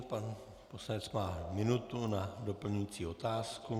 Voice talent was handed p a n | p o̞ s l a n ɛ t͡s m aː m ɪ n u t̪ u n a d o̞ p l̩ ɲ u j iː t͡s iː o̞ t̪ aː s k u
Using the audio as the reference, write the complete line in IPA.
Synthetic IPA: p a n | p o̞ s l a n ɛ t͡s m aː m ɪ n u t̪ u n a d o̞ p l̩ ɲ u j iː t͡s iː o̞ t̪ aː s k u